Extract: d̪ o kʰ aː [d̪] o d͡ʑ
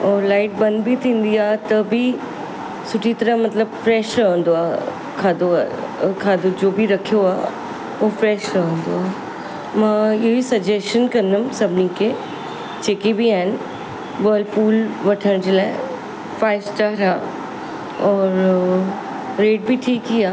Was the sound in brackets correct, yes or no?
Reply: yes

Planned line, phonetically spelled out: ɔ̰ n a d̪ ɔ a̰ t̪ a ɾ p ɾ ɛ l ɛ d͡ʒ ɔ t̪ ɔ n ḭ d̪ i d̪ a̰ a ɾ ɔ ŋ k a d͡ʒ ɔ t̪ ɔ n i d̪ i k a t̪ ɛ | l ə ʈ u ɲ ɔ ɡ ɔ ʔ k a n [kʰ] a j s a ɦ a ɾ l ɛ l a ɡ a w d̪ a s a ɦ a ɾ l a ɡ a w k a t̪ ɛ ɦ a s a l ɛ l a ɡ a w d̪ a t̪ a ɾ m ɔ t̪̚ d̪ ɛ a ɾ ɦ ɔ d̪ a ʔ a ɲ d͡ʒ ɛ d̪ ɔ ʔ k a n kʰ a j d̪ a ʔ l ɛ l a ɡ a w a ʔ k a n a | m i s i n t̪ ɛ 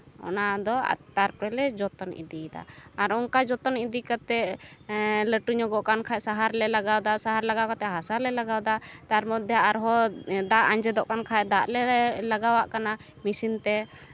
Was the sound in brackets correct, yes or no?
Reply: yes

